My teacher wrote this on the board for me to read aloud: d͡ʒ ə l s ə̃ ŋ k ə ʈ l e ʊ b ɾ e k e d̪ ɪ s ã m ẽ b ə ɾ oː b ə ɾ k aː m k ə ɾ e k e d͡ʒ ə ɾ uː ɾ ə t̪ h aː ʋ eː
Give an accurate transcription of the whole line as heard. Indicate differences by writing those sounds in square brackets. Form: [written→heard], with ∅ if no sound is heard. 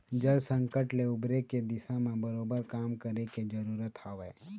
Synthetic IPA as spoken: d͡ʒ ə l s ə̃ ŋ k ə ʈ l e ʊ b ɾ e k e d̪ ɪ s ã m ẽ b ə ɾ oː b ə ɾ k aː m k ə ɾ e k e d͡ʒ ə ɾ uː ɾ ə t̪ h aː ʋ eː

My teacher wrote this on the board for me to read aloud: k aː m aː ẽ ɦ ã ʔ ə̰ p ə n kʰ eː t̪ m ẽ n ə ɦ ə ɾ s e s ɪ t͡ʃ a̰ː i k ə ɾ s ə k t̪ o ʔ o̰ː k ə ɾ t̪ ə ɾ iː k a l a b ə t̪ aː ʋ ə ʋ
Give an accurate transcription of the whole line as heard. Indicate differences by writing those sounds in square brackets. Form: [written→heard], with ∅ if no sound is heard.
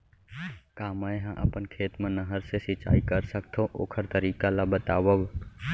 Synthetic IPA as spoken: k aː m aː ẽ ɦ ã ʔ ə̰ p ə n kʰ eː t̪ m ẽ n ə ɦ ə ɾ s e s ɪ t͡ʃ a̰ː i k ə ɾ s ə k [t̪→t̪ʰ] o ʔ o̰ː [k→kʰ] ə ɾ t̪ ə ɾ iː k a l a b ə t̪ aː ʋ ə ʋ

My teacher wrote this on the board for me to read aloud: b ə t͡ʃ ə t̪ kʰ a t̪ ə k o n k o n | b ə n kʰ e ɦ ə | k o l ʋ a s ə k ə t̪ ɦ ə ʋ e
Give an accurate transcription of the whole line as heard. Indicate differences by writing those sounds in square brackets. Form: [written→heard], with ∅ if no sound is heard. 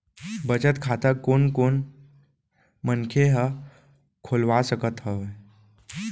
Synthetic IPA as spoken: b ə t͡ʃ ə t̪ kʰ a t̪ ə k o n k o n | [b→m] ə n kʰ e ɦ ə | [k→kʰ] o l ʋ a s ə k ə t̪ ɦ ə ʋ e

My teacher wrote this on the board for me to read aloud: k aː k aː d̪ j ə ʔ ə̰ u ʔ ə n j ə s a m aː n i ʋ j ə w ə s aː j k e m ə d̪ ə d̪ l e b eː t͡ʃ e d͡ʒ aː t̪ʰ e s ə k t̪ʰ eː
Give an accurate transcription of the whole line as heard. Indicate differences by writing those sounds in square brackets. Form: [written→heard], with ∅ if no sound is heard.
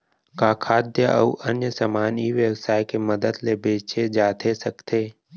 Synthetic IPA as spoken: k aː [k→kʰ] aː d̪ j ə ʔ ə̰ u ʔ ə n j ə s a m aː n i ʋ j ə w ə s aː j k e m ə d̪ ə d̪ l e b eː t͡ʃ e d͡ʒ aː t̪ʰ e s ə k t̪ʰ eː

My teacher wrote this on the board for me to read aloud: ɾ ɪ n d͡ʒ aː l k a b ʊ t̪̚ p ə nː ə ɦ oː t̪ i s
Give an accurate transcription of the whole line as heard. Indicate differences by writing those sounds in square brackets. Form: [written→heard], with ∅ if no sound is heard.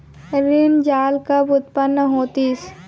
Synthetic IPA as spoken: ɾ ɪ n d͡ʒ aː l k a b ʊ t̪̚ p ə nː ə ɦ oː t̪ i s

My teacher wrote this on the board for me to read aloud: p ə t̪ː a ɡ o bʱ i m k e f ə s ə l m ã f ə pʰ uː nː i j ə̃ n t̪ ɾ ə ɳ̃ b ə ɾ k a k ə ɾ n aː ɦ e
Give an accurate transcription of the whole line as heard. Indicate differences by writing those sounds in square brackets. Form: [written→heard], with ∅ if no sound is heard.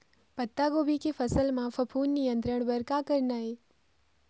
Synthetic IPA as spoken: p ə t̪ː a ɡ o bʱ i [m→∅] k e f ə s ə l m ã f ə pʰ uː nː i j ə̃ n t̪ ɾ ə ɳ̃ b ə ɾ k a k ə ɾ n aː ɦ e

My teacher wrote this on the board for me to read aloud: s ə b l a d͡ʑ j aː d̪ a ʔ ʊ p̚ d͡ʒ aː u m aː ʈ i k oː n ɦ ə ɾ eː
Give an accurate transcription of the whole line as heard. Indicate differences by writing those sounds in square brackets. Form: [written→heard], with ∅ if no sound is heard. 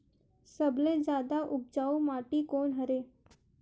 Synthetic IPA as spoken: s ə b l [a→e] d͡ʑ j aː d̪ a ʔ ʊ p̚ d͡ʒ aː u m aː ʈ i k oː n ɦ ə ɾ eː

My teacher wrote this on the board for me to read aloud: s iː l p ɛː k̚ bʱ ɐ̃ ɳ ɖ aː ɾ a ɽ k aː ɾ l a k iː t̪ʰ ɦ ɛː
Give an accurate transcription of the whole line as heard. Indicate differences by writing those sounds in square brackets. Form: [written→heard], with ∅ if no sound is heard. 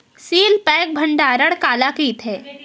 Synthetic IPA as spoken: s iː l p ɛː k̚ bʱ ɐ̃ ɳ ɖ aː ɾ [a→ə] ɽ k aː [ɾ→∅] l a k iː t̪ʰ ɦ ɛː

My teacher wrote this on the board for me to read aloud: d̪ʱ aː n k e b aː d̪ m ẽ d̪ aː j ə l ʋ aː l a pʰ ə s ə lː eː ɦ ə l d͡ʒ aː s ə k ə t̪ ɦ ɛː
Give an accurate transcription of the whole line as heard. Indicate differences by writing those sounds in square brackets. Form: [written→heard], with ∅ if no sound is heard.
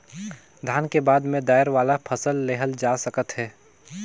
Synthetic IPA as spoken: d̪ʱ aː n k e b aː d̪ m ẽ d̪ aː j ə [l→ɾ] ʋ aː l a pʰ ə s ə lː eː ɦ ə l d͡ʒ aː s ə k ə t̪ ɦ ɛː

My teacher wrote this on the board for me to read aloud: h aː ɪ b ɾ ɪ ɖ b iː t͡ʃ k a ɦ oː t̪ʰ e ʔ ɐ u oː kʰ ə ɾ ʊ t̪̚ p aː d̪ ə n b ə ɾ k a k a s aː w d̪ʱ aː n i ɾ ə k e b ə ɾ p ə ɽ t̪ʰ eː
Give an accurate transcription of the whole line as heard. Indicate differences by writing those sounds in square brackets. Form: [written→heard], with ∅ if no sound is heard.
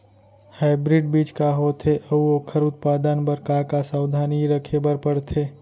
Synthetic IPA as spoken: h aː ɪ b ɾ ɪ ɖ b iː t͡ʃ k a ɦ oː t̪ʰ e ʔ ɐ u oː kʰ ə ɾ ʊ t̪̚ p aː d̪ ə n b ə ɾ k a k a s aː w d̪ʱ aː n i ɾ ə [k→kʰ] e b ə ɾ p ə ɽ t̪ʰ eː

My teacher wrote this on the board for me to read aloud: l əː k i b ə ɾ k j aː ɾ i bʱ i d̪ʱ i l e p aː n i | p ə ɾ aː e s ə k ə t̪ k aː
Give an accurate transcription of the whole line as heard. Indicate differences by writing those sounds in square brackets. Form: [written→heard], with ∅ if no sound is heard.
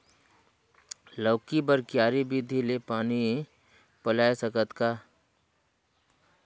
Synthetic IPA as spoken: l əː k i b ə ɾ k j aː ɾ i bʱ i d̪ʱ i l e p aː n i | p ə [ɾ→l] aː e s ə k ə t̪ k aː

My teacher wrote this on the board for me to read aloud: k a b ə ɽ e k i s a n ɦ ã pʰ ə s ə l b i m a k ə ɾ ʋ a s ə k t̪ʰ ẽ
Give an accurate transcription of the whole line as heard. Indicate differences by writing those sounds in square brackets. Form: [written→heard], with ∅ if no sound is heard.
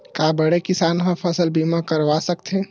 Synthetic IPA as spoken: k a b ə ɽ e k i s a n ɦ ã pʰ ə s ə l b i m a k ə ɾ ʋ a s ə k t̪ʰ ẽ

